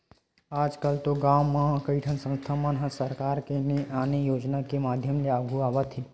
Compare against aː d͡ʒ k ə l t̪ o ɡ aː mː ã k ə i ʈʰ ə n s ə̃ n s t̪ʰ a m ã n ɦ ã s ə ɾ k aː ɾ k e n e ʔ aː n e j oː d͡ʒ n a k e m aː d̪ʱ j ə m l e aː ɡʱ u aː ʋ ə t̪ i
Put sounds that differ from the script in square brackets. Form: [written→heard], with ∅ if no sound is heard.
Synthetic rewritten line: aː d͡ʒ k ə l t̪ o ɡ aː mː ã k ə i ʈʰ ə n s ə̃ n s t̪ʰ a m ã n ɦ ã s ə ɾ k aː ɾ k e n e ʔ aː n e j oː d͡ʒ n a k e m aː d̪ʱ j ə m l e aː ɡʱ u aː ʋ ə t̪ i